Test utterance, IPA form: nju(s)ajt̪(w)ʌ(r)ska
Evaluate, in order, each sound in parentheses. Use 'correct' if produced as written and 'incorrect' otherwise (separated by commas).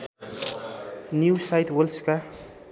correct, correct, incorrect